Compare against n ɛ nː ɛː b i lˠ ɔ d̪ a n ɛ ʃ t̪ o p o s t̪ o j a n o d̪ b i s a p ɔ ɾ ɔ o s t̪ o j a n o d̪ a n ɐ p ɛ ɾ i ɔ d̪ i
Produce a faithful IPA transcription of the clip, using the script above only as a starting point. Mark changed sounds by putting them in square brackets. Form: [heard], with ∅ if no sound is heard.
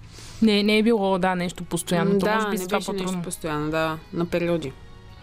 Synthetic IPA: n ɛ [n] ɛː b i lˠ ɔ d̪ a n ɛ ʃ t̪ o p o s t̪ o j a n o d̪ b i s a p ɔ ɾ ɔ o s t̪ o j a n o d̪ a n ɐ p ɛ ɾ i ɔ d̪ i